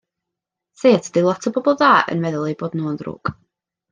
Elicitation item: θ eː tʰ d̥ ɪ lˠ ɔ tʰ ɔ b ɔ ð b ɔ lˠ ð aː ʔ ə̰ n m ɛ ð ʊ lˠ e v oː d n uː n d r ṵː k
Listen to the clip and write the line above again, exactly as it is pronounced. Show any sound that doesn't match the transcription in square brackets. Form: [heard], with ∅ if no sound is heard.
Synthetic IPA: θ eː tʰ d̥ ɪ lˠ ɔ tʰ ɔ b ɔ [∅] b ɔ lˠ ð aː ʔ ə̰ n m ɛ ð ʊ lˠ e [b] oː d n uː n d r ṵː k